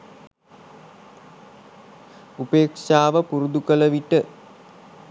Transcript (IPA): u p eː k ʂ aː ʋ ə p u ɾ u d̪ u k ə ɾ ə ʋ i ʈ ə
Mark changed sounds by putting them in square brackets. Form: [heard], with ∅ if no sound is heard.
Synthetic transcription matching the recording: u p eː k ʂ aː ʋ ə p u ɾ u d̪ u k ə [l] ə ʋ i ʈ ə